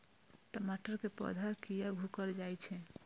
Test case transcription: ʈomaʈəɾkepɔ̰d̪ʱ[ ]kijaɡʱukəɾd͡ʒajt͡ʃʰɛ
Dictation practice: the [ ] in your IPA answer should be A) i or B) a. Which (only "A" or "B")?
B